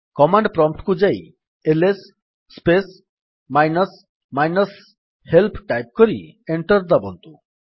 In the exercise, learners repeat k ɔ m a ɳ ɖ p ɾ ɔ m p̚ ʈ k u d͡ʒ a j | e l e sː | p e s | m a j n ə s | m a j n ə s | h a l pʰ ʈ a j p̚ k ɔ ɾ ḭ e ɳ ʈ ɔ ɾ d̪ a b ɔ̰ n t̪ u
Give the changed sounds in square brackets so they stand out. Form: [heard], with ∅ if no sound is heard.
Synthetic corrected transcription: k ɔ m a ɳ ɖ p ɾ ɔ m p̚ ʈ k u d͡ʒ a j | e l e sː | p e s | m a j n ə s | m a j n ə s | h [e] l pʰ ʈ a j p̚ k ɔ ɾ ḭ e ɳ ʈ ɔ ɾ d̪ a b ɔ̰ n t̪ u